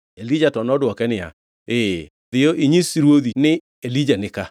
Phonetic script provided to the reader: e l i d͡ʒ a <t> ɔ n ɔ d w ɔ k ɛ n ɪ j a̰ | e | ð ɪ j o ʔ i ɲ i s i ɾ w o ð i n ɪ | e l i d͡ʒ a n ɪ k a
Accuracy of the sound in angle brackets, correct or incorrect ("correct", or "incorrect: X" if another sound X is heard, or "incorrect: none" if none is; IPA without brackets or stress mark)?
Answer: correct